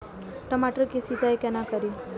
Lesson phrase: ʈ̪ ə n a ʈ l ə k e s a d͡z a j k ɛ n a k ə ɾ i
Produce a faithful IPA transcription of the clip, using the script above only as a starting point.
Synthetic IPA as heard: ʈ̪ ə m a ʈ ɾ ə k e s i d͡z a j k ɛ n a k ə ɾ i